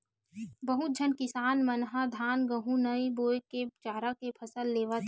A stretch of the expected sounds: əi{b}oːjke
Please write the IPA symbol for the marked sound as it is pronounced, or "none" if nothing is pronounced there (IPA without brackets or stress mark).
b